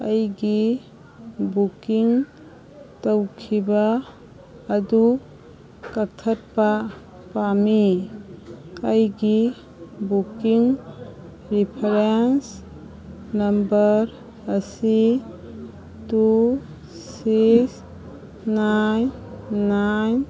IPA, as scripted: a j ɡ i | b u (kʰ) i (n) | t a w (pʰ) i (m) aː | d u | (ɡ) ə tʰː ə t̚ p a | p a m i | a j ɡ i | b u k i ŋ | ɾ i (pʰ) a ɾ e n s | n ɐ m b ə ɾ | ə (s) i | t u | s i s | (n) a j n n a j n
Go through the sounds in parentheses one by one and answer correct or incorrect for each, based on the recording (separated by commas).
incorrect, incorrect, incorrect, incorrect, incorrect, correct, correct, correct